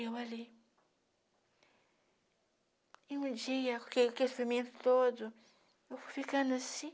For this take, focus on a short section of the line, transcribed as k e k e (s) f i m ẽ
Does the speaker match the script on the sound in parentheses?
yes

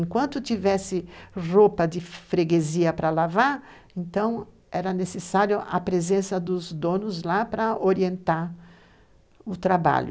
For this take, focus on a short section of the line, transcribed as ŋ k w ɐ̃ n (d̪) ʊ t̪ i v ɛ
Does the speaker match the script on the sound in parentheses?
no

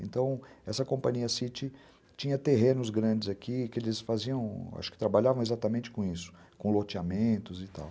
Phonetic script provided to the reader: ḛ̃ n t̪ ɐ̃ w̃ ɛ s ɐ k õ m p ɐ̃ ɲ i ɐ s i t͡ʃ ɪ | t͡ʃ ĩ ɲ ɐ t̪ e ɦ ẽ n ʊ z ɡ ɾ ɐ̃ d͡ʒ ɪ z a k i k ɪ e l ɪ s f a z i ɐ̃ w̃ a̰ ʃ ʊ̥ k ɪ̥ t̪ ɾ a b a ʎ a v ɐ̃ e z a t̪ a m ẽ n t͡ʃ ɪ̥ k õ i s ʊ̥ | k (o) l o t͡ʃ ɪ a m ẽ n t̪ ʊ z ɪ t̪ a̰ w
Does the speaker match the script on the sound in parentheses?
no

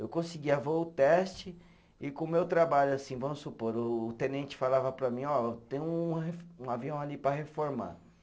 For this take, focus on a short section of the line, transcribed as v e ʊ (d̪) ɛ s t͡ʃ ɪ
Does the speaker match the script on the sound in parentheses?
no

